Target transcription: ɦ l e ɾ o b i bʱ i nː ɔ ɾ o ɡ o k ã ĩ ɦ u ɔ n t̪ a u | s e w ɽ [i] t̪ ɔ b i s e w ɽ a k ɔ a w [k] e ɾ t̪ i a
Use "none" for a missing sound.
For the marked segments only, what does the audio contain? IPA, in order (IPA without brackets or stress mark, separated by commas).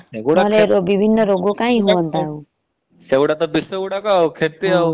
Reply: a, kʰ